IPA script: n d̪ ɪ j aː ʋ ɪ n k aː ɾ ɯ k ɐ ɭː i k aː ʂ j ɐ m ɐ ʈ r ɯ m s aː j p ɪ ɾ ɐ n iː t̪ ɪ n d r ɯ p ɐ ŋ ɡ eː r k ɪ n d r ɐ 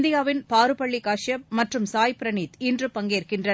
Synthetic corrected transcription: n d̪ ɪ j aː ʋ ɪ n p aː ɾ ɯ p ɐ ɭː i k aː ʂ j ɐ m ɐ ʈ r ɯ m s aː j p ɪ ɾ ɐ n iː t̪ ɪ n d r ɯ p ɐ ŋ ɡ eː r k ɪ n d r ɐ